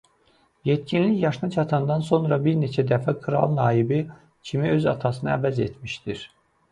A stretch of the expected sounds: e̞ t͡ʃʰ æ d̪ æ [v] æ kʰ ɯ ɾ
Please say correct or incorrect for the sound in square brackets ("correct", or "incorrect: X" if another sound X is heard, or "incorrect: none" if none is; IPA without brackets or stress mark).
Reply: incorrect: f